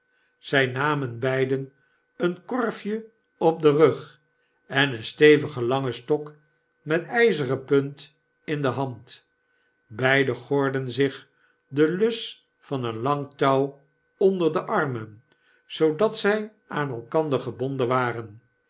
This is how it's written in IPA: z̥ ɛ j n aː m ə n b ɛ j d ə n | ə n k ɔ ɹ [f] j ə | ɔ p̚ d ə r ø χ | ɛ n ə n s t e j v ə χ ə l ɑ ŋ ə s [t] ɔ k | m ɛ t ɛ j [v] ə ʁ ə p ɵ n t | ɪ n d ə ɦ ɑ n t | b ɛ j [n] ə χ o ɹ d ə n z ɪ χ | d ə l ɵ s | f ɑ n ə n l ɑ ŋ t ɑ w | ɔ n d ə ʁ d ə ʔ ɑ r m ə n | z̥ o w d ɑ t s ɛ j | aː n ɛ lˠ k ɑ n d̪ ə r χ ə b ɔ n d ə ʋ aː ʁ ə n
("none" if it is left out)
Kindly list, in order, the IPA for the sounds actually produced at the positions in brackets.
f, t, z, d

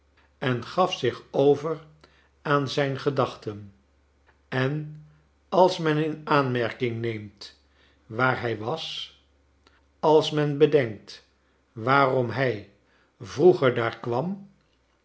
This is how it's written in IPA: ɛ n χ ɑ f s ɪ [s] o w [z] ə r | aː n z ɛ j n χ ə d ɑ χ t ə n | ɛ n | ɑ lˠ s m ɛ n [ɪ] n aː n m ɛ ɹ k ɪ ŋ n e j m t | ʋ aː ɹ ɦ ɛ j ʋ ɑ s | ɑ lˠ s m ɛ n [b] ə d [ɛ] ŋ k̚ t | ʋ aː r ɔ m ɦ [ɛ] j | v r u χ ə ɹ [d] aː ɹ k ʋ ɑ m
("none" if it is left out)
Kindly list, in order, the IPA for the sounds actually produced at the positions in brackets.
χ, v, ɪ, b, ɛ, ɛ, d

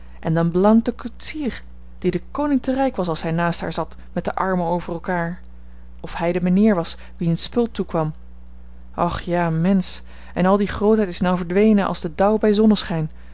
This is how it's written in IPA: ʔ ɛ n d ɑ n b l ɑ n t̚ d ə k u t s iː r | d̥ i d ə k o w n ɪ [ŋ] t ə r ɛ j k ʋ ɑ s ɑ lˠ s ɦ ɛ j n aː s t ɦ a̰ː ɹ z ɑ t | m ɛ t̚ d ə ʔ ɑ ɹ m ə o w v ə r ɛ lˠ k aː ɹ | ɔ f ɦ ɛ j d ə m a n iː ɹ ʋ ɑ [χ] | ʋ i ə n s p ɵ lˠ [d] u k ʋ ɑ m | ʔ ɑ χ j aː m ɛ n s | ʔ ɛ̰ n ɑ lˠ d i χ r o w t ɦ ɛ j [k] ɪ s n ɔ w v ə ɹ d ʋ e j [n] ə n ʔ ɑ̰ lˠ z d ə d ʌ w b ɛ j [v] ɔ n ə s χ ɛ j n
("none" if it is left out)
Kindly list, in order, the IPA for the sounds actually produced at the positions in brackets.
ŋ, s, t, t, n, z

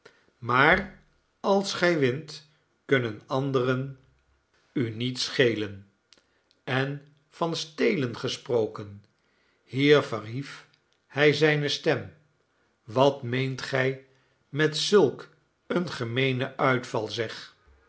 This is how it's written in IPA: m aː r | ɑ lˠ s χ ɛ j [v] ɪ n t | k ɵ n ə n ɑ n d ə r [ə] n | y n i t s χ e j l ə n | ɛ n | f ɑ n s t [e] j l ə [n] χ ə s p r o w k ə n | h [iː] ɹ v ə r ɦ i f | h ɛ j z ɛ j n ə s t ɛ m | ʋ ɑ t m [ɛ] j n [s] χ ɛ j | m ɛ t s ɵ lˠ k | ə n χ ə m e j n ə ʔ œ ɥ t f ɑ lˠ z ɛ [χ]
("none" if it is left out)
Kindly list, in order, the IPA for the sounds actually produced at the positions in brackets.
ʋ, ə, e, n, iː, e, t, χ

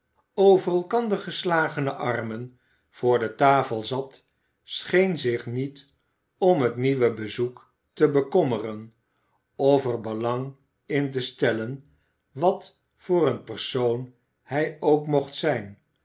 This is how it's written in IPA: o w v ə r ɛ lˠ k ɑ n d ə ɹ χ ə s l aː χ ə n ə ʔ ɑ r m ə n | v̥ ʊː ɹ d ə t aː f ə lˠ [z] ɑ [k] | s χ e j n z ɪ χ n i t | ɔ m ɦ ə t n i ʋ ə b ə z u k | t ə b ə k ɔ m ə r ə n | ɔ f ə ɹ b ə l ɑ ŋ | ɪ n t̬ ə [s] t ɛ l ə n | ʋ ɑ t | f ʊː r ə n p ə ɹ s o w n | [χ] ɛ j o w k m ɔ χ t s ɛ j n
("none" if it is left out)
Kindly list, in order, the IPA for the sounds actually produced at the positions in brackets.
z, t, s, h

